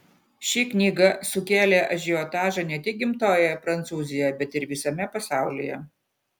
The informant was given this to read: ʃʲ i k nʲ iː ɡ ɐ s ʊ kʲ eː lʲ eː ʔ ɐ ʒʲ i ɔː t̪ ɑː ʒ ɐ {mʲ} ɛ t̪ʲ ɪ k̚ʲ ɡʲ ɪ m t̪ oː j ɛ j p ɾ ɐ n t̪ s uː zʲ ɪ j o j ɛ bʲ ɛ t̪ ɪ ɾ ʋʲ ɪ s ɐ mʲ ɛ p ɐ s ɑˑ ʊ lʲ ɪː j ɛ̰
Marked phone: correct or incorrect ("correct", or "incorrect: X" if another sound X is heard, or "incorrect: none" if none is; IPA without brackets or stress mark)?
incorrect: nʲ